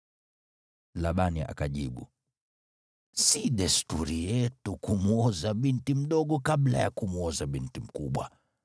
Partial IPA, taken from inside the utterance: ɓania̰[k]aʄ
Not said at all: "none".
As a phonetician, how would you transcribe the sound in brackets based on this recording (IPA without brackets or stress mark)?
k